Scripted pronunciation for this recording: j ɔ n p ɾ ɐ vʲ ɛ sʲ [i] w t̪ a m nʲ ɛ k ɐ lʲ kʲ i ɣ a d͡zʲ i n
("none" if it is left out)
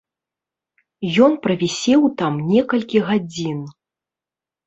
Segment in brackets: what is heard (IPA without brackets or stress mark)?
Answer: ɛ